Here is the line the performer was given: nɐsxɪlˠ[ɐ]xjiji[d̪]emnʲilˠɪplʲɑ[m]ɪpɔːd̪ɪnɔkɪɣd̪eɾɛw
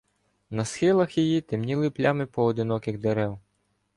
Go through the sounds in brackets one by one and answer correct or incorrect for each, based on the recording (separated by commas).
correct, incorrect, correct